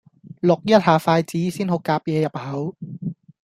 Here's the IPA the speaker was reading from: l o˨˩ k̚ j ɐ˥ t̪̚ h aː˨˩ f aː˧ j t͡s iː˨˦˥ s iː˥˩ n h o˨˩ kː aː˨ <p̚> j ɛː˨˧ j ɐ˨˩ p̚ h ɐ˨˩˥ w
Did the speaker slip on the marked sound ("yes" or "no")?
no